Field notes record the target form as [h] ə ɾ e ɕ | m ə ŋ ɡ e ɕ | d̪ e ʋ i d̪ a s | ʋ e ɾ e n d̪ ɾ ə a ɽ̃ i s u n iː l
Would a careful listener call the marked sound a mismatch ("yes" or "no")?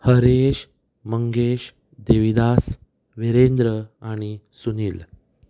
no